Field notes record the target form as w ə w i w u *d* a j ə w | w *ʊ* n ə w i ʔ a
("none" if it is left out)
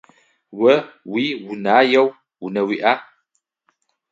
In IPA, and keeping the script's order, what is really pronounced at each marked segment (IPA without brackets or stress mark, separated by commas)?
n, u